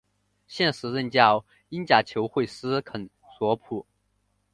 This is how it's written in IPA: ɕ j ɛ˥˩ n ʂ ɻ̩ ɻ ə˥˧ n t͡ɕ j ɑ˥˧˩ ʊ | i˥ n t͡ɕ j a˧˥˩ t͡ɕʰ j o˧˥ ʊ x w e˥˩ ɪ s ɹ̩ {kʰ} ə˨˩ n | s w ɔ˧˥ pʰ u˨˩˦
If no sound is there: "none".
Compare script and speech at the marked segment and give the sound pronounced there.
kʰ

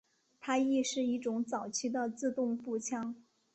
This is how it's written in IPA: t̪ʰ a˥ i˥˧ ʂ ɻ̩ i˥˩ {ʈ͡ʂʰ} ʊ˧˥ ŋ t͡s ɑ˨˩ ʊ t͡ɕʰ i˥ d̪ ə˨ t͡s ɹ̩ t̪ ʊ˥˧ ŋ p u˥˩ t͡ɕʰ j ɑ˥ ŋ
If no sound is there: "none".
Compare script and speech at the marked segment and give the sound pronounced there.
ʈ͡ʂ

